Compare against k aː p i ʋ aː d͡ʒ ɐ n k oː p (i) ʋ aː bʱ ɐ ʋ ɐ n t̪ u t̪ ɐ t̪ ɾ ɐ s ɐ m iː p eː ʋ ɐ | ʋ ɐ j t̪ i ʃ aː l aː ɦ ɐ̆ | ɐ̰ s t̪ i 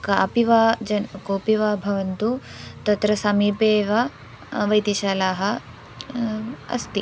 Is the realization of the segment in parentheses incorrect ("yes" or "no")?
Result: no